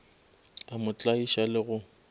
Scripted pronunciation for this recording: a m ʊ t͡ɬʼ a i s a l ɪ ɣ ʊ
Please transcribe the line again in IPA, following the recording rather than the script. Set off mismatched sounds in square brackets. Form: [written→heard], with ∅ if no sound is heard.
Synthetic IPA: a m ʊ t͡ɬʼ a i [s→ʃ] a l ɪ ɣ ʊ